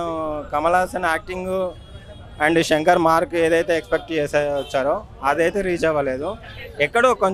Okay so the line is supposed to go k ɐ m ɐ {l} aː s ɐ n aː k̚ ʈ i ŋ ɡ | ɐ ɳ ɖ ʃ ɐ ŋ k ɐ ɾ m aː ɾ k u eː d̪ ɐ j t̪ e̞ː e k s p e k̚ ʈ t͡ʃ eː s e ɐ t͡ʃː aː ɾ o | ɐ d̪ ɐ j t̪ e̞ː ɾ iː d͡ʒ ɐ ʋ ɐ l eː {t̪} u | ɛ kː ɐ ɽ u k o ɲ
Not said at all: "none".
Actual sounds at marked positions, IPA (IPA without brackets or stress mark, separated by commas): l, d̪